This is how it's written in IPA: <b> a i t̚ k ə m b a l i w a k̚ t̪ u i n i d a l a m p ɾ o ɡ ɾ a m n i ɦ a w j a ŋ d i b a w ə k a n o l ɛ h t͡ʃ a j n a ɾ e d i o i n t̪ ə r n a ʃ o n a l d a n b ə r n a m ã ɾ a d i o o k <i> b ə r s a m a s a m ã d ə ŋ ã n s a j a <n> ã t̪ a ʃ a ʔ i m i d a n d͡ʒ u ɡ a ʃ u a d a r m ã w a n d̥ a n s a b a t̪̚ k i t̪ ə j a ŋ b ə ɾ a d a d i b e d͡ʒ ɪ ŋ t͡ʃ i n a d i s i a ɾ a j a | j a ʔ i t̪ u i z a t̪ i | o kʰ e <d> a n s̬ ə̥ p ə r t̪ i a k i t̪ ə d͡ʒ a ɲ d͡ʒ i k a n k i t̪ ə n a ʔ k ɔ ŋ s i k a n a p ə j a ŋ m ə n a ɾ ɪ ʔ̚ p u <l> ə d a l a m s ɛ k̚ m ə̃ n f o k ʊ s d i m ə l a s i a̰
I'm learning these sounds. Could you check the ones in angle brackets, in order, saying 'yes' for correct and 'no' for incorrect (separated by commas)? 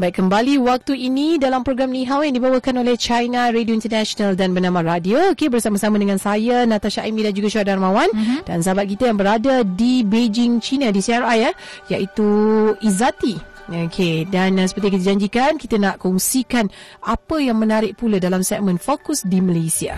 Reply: yes, no, yes, yes, yes